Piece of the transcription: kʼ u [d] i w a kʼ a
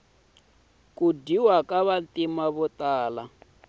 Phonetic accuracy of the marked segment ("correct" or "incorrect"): correct